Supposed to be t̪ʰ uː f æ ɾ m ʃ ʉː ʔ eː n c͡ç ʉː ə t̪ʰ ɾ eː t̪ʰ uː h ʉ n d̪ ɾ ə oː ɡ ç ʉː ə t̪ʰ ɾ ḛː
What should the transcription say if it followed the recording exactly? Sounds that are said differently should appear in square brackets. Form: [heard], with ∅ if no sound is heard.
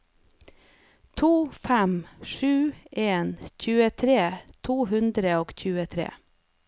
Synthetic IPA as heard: t̪ʰ uː f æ [∅] m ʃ ʉː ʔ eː n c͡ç ʉː ə t̪ʰ ɾ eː t̪ʰ uː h ʉ n d̪ ɾ ə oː ɡ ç ʉː ə t̪ʰ ɾ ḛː

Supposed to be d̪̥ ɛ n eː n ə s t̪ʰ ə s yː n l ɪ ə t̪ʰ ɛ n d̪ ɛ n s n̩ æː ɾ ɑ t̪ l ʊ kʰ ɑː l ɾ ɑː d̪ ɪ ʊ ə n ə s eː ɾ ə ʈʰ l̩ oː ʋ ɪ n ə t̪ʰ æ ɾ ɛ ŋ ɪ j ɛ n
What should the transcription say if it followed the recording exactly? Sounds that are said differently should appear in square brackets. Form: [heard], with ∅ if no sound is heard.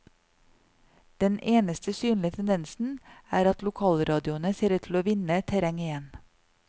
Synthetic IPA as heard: d̪̥ ɛ n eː n ə s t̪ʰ ə s yː n l ɪ ə t̪ʰ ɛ n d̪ ɛ n s n̩ æː ɾ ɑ t̪ l ʊ kʰ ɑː l ɾ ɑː d̪ ɪ ʊ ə n ə s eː ɾ ə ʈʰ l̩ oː ʋ ɪ n ə t̪ʰ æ ɾ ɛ ŋ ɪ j ɛ n

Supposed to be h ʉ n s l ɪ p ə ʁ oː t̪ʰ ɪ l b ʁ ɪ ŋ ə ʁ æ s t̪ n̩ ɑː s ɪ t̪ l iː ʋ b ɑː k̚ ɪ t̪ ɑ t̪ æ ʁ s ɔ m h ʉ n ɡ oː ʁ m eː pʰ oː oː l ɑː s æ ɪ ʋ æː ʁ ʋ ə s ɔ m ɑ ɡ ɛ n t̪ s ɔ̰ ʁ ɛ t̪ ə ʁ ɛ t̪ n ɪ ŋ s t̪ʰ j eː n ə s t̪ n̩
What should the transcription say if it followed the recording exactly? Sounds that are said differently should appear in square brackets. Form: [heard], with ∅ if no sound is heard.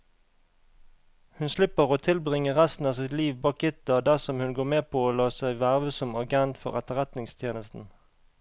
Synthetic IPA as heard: h ʉ n s l ɪ p ə ʁ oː t̪ʰ ɪ l b ʁ ɪ ŋ ə ʁ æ s t̪ n̩ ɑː s ɪ t̪ l iː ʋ b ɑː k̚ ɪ t̪ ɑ [d̪] æ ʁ s ɔ m h ʉ n ɡ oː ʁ m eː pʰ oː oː l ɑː s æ ɪ ʋ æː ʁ ʋ ə s ɔ m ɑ ɡ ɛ n t̪ [f] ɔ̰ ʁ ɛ t̪ ə ʁ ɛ t̪ n ɪ ŋ s t̪ʰ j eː n ə s t̪ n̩

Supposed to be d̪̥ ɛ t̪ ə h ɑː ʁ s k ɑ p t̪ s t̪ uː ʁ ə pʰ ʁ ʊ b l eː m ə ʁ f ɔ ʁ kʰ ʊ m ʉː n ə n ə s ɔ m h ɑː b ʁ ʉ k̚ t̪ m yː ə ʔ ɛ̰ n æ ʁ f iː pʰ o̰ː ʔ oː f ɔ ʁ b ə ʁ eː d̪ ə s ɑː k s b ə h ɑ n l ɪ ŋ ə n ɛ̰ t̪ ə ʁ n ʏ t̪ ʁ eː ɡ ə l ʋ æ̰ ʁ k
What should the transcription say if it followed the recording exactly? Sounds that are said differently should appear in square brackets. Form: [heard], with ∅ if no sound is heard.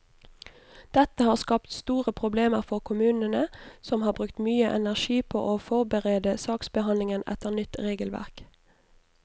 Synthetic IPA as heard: d̪̥ ɛ t̪ ə h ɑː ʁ s k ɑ p t̪ s t̪ uː ʁ ə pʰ ʁ ʊ b l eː m ə ʁ f ɔ ʁ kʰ ʊ m ʉː n ə n ə s ɔ m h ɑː b ʁ ʉ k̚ t̪ m yː ə ʔ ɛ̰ n æ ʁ [ʃ] iː pʰ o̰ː ʔ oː f ɔ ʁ b ə ʁ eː d̪ ə s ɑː k s b ə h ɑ n l ɪ ŋ ə n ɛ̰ t̪ ə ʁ n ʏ t̪ ʁ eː ɡ ə l ʋ æ̰ ʁ k

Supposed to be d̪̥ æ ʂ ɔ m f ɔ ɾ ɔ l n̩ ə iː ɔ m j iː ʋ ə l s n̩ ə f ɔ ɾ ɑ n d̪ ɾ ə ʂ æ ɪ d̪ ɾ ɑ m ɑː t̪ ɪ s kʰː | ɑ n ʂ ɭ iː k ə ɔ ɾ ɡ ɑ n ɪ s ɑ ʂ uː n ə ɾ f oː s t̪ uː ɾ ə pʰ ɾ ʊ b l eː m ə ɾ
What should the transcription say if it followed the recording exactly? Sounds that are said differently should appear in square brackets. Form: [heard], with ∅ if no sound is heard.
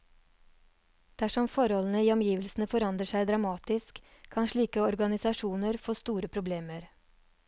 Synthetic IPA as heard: d̪̥ æ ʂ ɔ m f ɔ ɾ ɔ l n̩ ə iː ɔ m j iː ʋ ə l s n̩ ə f ɔ ɾ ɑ n d̪ ɾ ə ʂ æ ɪ d̪ ɾ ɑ m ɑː t̪ ɪ s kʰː | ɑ n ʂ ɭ iː k ə ɔ ɾ ɡ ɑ n ɪ s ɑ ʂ uː n ə ɾ f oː s t̪ uː ɾ ə pʰ ɾ ʊ b l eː m ə ɾ

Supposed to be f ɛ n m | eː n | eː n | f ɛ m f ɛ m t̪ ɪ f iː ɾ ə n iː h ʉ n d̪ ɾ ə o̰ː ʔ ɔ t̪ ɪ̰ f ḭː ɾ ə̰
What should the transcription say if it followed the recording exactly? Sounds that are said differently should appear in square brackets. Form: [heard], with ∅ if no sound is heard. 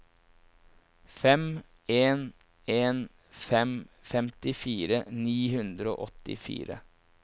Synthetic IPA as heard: f ɛ [∅] m | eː n | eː n | f ɛ m f ɛ m t̪ ɪ f iː ɾ ə n iː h ʉ n d̪ ɾ ə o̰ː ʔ ɔ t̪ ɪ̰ f ḭː ɾ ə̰

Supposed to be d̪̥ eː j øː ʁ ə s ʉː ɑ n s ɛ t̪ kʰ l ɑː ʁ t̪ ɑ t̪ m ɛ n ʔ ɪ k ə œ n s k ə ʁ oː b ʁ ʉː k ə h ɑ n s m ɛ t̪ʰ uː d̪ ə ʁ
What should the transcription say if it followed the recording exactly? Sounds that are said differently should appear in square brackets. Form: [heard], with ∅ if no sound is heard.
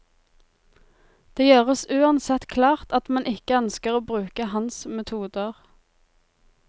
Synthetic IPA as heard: d̪̥ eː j øː ʁ ə s ʉː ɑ n s ɛ t̪ kʰ l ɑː ʁ t̪ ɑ t̪ m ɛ n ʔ ɪ k ə œ n s k ə ʁ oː b ʁ ʉː k ə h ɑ n s m ɛ t̪ʰ uː d̪ ə ʁ

